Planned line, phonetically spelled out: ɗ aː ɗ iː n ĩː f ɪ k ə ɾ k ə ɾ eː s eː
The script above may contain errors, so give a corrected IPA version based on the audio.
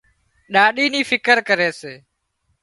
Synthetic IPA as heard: ɗ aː ɗ iː n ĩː f ɪ k ə ɾ k ə ɾ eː s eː